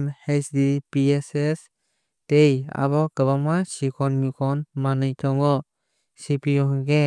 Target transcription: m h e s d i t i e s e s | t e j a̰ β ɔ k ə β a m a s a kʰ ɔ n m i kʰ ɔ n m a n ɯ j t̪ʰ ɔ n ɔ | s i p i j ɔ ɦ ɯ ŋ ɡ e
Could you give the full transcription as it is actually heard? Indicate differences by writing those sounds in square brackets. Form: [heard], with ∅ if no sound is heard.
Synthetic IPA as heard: m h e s d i [p] i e s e s | t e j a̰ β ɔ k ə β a m a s [i] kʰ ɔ n m i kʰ ɔ n m a n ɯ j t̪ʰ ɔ [ŋ] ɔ | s i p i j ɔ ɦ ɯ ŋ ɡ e